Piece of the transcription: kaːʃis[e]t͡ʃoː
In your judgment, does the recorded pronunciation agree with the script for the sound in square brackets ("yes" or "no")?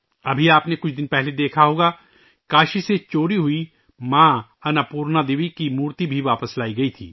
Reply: yes